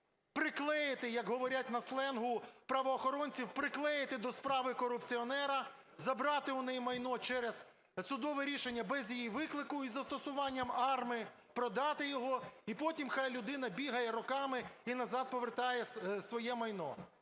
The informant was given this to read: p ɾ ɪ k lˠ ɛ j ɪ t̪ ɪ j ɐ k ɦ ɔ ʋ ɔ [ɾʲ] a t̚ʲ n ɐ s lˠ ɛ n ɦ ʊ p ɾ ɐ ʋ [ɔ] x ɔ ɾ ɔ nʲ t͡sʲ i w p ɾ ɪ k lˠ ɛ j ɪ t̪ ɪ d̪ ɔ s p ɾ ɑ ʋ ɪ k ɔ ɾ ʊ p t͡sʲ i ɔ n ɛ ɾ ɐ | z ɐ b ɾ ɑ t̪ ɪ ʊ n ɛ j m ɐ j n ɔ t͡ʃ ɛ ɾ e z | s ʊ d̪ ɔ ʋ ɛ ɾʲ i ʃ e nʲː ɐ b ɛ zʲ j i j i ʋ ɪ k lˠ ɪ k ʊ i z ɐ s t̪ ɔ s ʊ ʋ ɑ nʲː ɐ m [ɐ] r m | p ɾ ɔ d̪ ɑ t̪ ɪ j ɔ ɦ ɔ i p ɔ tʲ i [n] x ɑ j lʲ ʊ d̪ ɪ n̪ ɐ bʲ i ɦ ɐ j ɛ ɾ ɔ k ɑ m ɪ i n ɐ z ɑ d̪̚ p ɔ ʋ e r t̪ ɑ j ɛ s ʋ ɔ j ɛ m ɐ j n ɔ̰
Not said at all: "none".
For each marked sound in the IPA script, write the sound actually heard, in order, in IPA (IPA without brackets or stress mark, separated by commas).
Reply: ɾʲ, ɔː, ɑ, m